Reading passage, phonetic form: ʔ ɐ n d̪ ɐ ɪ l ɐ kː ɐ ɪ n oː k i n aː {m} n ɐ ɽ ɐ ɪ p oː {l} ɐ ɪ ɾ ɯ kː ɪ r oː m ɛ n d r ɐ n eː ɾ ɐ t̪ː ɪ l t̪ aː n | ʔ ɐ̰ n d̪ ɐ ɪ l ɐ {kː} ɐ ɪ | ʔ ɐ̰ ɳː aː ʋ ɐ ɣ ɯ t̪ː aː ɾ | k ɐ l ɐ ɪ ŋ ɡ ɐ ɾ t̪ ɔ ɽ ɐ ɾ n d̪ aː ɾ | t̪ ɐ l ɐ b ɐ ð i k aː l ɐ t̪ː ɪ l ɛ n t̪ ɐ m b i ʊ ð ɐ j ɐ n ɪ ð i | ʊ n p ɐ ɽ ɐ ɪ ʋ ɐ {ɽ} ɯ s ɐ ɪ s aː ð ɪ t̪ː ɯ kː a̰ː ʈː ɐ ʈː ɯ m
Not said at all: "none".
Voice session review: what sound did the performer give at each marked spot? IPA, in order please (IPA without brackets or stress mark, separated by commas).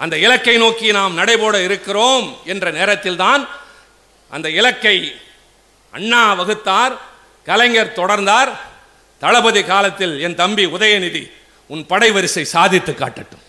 m, ɽ, kː, ɾ